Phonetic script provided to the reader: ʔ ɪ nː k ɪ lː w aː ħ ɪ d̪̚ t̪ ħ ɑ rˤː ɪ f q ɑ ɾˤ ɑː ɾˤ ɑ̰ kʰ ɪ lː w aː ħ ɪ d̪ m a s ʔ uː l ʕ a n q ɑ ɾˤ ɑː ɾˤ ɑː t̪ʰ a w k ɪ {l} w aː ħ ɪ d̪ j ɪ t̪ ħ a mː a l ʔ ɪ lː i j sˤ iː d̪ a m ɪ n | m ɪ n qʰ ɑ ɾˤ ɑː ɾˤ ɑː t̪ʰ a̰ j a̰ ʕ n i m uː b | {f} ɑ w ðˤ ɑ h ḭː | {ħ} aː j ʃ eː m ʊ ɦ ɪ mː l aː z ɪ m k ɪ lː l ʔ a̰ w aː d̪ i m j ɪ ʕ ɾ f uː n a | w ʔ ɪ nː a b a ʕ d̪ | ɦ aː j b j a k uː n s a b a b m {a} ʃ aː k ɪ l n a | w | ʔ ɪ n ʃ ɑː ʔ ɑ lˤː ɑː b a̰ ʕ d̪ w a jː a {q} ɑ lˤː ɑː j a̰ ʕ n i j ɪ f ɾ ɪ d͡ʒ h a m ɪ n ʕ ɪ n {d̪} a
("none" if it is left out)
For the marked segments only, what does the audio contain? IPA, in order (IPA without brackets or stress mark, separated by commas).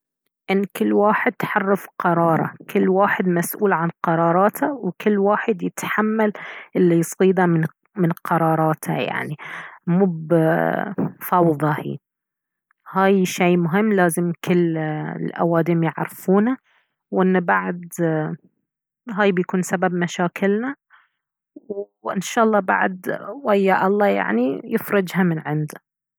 lː, f, h, a, ʔ, d̪